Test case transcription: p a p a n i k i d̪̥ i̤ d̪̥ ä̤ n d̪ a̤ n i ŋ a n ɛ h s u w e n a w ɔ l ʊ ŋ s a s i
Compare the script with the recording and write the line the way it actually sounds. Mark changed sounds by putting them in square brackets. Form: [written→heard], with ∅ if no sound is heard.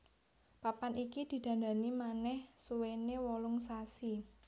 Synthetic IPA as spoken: p a p a n i k i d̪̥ i̤ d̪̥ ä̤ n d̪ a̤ n i [ŋ→m] a n ɛ h s u w e n [a→e] w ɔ l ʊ ŋ s a s i